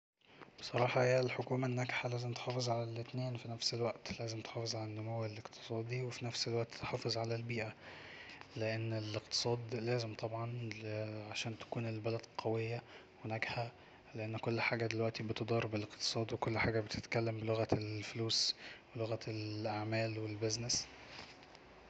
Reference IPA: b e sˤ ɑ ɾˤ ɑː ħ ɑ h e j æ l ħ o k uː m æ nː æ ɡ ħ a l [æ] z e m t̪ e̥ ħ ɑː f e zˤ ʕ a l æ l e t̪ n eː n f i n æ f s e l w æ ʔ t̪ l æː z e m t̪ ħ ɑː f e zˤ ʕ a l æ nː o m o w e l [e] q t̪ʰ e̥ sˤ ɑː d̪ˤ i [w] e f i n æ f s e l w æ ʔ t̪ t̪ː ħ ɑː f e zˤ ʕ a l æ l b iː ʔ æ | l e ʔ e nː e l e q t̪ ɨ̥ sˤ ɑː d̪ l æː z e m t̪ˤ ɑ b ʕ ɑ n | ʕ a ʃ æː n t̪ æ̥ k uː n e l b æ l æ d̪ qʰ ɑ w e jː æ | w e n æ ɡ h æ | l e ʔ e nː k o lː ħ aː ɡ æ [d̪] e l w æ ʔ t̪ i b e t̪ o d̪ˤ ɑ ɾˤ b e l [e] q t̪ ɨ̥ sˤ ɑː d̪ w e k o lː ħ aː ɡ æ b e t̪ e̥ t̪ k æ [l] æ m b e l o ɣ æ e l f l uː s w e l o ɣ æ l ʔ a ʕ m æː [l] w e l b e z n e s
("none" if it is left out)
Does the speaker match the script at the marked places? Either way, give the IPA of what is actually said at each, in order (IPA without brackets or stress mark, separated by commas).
æː, e, w, d̪, e, lː, l